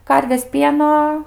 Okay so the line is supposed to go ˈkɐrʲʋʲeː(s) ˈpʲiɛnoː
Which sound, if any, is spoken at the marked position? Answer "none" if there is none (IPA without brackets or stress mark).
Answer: s